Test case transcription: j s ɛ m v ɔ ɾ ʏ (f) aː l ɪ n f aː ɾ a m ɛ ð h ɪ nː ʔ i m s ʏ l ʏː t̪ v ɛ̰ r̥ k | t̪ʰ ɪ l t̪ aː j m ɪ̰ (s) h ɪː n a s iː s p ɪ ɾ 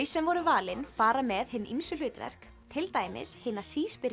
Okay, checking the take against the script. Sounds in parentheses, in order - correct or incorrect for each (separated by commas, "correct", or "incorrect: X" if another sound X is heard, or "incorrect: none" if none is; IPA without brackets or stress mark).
incorrect: v, correct